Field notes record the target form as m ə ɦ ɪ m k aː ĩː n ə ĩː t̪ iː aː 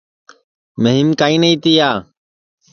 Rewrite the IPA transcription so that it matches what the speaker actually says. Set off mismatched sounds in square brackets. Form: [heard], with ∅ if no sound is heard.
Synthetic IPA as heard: m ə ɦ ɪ m k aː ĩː n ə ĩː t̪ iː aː